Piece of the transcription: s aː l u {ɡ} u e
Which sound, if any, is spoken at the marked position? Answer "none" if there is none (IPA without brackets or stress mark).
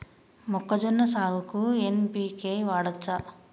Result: k